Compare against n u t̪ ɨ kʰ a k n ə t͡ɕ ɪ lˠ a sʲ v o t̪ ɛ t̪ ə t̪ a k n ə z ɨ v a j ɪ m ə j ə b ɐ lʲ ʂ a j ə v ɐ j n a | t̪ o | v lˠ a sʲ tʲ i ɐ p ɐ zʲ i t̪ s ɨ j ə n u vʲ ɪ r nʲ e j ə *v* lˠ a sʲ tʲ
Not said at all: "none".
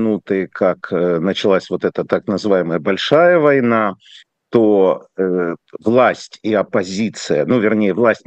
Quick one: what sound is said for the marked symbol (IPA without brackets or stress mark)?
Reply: v